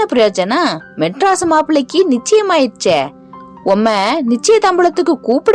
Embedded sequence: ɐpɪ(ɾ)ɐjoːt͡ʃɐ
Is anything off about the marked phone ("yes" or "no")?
no